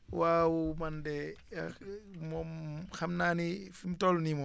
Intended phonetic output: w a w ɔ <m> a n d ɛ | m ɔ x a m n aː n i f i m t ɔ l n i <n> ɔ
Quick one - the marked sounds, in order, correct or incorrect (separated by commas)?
correct, incorrect